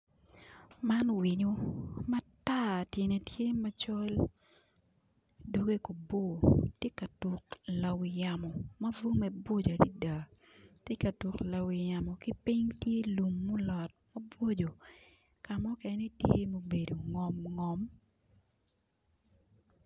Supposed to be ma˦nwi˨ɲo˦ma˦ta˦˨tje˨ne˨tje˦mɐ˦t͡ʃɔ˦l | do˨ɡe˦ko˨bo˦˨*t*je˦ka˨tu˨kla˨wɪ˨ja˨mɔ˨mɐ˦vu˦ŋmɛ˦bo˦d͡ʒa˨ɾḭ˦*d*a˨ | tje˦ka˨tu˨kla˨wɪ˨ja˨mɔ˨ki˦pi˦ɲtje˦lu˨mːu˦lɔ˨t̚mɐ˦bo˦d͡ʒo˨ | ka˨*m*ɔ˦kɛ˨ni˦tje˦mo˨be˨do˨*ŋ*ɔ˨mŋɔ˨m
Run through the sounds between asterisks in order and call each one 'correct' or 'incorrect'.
correct, correct, correct, correct

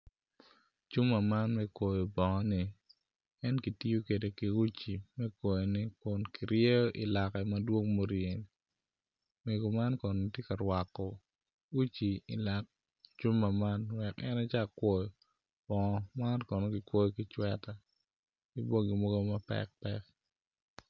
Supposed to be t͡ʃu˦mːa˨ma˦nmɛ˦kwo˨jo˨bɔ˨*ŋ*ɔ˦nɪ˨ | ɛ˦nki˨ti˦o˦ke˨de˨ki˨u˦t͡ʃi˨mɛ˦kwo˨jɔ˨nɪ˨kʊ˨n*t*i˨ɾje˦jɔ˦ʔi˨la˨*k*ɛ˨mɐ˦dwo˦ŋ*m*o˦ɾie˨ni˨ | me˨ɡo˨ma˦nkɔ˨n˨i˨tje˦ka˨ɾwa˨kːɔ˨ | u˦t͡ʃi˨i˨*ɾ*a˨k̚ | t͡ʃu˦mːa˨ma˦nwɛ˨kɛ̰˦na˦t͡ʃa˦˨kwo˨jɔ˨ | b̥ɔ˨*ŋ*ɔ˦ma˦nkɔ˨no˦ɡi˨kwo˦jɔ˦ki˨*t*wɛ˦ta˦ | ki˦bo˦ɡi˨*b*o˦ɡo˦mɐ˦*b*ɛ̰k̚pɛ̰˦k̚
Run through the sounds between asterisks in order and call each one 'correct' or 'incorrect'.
correct, incorrect: k, correct, correct, incorrect: l, correct, incorrect: t͡ʃ, incorrect: m, incorrect: p

